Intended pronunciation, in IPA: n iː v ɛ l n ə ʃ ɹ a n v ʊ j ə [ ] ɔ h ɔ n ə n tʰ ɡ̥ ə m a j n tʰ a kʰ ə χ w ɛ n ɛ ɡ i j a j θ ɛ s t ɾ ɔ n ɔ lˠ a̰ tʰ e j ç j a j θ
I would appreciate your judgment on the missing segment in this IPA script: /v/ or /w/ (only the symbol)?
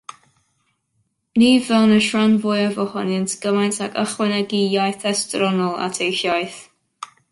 v